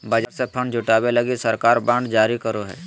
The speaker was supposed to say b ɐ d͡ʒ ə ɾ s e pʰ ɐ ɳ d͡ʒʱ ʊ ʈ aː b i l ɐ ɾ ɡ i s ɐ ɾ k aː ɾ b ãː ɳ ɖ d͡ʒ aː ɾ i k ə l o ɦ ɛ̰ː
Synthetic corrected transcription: b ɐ d͡ʒ ə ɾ s e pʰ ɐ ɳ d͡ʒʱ ʊ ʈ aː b e l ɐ ɡ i s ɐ ɾ k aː ɾ b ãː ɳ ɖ d͡ʒ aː ɾ i k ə ɾ o ɦ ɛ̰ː